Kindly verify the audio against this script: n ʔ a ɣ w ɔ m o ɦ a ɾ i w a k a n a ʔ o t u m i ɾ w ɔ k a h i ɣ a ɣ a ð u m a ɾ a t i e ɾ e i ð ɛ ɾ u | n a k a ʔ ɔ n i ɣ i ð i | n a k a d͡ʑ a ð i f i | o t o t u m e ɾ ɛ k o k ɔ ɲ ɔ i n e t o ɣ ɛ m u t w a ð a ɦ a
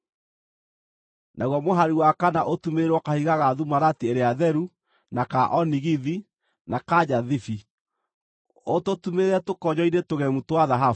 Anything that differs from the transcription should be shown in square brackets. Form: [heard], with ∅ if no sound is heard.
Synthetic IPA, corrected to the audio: n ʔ a ɣ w ɔ m o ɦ a ɾ i w a k a n a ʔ o t u m [e] ɾ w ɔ k a h i ɣ a ɣ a ð u m a ɾ a t i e ɾ e [a] ð ɛ ɾ u | n a k a ʔ ɔ n i ɣ i ð i | n a k a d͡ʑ a ð i f i | o t o t u m e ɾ ɛ [t] o k ɔ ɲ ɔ i n e t o ɣ ɛ m u t w a ð a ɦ a